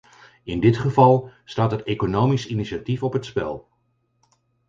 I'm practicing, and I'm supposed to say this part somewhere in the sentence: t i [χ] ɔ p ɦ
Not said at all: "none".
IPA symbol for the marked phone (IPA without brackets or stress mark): f